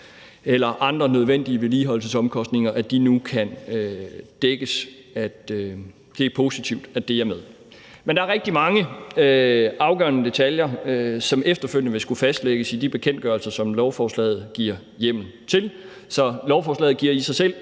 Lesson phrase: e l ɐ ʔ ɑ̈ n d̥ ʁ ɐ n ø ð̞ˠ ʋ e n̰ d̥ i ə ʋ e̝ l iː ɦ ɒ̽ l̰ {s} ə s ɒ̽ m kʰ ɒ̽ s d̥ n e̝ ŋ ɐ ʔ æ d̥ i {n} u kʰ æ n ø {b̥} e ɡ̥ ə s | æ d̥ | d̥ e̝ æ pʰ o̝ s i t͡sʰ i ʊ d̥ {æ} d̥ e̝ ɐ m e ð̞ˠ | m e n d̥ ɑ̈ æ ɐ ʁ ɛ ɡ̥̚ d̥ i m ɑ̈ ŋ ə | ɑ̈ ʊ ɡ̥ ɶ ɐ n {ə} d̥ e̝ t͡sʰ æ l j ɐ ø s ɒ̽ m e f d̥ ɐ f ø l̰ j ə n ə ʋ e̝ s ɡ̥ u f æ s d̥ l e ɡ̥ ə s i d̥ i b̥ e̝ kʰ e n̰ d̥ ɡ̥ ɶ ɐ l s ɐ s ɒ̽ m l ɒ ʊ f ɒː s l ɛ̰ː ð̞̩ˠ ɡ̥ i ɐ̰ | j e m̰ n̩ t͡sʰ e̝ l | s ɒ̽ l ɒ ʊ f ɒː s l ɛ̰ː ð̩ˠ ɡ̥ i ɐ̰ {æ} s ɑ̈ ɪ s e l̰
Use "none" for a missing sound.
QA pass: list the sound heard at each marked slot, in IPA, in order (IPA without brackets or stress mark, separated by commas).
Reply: s, n, d̥, æ, ə, i